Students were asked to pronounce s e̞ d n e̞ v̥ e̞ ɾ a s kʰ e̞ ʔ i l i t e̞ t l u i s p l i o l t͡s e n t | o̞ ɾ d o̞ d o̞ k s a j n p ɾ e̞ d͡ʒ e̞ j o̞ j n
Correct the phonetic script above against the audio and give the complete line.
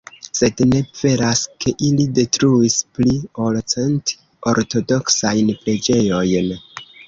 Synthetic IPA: s e̞ d n e̞ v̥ e̞ ɾ a s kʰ e̞ ʔ i l i d e̞ t ɾ u i s p l i o l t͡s e n t | o̞ ɾ t o̞ d o̞ k s a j n p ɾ e̞ d͡ʒ e̞ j o̞ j n